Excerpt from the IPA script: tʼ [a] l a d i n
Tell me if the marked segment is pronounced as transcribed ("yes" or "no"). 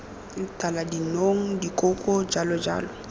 yes